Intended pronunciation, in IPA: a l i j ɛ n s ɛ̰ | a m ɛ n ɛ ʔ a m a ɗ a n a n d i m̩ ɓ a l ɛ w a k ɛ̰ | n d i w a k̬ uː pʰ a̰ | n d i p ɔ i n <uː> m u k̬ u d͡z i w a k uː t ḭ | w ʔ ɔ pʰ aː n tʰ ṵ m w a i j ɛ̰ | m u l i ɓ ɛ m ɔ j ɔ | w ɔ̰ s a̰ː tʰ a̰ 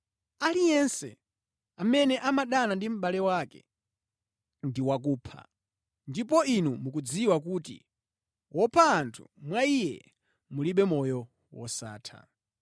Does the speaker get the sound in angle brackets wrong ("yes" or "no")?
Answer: yes